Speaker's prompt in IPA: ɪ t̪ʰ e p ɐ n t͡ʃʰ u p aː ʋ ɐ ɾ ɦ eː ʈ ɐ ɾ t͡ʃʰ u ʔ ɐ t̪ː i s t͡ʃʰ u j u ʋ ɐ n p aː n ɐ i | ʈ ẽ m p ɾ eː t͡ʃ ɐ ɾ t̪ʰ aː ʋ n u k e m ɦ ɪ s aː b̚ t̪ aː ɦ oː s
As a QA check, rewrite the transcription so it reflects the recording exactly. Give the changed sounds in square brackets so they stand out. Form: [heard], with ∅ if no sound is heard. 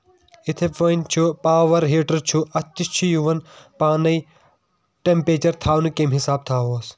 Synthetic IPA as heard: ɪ t̪ʰ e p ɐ n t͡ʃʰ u p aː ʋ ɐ ɾ ɦ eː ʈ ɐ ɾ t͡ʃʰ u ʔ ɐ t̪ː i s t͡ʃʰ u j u ʋ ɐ n p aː n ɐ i | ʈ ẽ m p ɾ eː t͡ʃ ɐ ɾ t̪ʰ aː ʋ n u k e m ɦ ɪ s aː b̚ [t̪ʰ] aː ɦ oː s